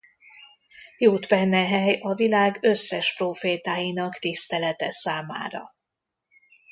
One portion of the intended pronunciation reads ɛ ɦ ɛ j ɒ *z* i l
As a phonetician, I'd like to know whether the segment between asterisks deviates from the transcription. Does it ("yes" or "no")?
yes